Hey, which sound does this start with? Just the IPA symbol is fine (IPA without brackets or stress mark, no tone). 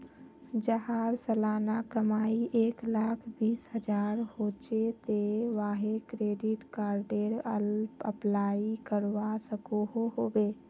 d͡ʒ